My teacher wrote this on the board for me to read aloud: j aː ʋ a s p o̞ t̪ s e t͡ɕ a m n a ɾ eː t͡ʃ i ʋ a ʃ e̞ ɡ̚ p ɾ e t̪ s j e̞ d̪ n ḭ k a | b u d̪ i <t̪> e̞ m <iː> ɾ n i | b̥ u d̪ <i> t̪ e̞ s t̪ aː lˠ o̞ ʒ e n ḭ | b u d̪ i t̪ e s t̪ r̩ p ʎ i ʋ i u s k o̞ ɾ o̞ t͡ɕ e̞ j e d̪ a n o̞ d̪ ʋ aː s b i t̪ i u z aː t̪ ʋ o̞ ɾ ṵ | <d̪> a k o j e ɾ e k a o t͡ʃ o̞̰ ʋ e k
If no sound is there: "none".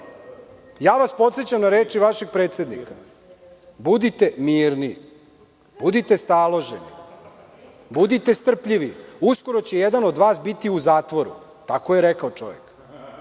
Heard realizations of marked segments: t̪, iː, i, t̪

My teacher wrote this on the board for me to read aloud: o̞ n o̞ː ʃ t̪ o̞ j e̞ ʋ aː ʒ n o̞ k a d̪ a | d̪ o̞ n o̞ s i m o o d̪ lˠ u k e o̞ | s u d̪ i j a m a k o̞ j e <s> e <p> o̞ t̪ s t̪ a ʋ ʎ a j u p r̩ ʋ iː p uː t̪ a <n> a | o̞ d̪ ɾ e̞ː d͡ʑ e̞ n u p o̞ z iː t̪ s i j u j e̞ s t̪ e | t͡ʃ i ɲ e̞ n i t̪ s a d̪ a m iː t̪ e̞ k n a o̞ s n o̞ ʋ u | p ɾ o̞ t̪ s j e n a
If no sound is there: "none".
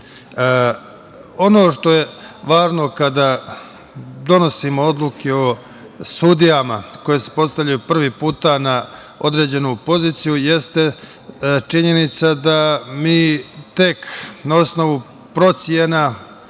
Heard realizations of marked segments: s, p, n

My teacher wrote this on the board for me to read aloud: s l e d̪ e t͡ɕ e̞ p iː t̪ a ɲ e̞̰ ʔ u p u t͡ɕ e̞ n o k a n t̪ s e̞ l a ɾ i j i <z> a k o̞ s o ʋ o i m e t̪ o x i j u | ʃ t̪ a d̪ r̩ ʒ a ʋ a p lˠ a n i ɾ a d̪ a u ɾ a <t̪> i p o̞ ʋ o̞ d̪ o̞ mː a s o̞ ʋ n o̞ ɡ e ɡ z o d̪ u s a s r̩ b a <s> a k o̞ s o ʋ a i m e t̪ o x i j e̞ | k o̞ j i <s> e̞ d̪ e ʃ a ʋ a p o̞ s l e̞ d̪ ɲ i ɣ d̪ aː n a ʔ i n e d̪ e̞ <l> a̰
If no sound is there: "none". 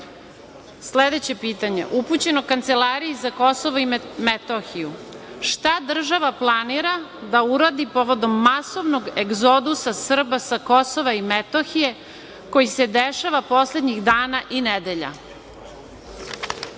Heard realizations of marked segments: z, d̪, s, s, ʎ

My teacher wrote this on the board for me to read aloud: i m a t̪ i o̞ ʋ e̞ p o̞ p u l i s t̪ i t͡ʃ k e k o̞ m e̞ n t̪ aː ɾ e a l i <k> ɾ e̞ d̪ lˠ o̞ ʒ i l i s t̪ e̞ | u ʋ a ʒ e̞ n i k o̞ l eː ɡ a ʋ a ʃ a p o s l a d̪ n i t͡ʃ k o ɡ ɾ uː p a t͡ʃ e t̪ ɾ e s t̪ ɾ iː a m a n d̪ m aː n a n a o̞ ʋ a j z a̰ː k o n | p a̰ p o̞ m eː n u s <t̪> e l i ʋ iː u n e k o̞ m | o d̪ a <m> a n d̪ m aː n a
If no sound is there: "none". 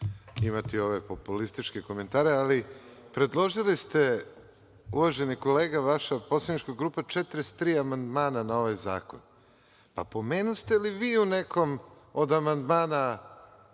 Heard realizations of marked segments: p, t̪, m

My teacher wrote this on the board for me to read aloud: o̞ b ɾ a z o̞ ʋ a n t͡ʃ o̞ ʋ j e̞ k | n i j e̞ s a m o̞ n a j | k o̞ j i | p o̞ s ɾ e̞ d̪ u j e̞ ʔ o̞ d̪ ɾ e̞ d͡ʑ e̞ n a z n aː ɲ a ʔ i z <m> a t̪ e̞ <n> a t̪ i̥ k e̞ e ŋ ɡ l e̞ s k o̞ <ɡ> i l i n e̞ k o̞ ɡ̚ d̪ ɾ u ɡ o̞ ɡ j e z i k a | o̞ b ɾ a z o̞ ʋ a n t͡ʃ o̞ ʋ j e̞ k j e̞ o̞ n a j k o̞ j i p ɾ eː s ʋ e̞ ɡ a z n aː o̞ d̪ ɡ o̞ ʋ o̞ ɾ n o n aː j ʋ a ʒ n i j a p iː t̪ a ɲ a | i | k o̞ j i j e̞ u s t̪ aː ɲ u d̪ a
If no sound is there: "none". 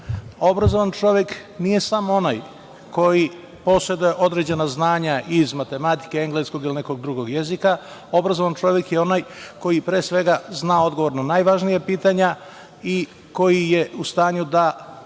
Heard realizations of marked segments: m, m, ɡ

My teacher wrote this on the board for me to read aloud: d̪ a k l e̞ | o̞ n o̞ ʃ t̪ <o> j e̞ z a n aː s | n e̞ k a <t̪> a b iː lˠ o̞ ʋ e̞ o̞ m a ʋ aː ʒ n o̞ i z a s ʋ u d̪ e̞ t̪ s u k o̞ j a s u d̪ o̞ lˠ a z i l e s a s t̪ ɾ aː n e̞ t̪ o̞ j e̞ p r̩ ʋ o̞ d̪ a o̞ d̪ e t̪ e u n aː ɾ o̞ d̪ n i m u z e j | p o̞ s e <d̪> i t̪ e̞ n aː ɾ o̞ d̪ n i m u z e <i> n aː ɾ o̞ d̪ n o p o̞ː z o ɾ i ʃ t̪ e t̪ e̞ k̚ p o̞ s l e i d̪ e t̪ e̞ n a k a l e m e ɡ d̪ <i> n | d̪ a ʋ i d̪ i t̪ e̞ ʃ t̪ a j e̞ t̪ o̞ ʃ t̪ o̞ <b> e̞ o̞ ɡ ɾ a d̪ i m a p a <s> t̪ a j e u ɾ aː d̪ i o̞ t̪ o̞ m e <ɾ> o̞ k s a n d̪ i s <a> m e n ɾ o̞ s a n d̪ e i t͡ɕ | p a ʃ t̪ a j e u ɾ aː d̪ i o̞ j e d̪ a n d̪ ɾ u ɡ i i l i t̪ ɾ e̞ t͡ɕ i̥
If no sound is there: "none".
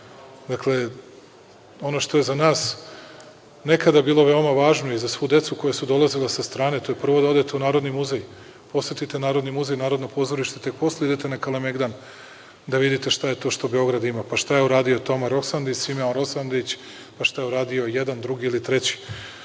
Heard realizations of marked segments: o, d̪, t̪, j, a, b, ʃ, ɾ, i

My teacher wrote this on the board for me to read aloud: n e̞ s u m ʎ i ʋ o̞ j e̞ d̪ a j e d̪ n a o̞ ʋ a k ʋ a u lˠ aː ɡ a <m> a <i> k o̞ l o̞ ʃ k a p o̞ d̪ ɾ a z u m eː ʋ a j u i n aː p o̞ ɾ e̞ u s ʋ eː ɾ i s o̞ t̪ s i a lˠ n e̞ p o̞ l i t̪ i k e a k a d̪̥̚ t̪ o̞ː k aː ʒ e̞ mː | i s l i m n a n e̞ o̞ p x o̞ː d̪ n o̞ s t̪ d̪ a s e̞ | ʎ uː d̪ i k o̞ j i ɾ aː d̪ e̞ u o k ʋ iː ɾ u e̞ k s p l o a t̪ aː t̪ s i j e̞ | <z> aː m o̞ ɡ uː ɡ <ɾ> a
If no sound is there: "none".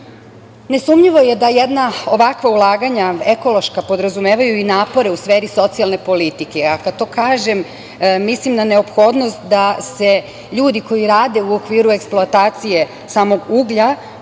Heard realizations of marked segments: ɲ, e, s, ʎ

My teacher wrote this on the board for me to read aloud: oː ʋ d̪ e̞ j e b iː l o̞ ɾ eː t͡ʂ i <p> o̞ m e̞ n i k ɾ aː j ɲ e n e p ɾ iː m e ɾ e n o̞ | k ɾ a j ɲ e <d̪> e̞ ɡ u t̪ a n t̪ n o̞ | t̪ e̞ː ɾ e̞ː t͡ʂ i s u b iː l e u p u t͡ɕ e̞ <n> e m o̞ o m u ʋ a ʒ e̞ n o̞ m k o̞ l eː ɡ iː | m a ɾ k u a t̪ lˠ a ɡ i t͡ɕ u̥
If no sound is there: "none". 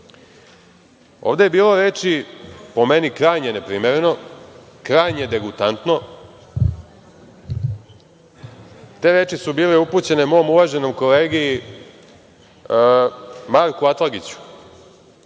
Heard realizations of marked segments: p, d̪, n

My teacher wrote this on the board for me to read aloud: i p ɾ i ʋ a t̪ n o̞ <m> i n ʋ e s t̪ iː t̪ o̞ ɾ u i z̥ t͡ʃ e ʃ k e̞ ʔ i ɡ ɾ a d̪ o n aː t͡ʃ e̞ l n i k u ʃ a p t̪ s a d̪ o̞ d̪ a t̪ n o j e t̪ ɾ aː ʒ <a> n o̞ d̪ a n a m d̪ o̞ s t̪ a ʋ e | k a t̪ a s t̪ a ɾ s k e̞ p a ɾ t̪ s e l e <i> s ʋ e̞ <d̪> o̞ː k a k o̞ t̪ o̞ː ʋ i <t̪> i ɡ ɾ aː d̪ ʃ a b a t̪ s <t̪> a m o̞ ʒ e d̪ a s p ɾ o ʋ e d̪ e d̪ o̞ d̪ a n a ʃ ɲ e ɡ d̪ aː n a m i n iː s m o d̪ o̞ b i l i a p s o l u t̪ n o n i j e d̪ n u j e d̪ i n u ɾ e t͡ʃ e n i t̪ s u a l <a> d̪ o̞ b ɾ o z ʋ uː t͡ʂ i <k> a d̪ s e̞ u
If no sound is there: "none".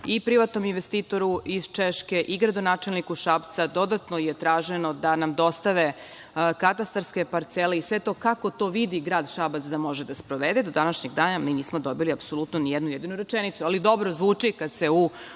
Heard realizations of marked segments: m, e, i, t̪, d̪, d̪, i, k

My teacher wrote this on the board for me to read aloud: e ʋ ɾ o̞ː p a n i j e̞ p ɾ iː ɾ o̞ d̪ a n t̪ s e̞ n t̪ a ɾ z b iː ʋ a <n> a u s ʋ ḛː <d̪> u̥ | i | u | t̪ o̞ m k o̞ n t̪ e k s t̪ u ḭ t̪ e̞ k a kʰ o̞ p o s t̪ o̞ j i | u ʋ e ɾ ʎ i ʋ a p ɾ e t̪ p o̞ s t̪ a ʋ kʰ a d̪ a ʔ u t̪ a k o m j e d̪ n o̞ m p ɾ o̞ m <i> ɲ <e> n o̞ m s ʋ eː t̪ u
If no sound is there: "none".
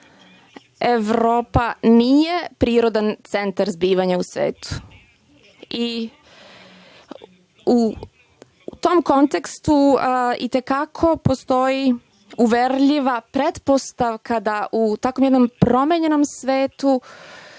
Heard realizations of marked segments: ɲ, t̪, e, e

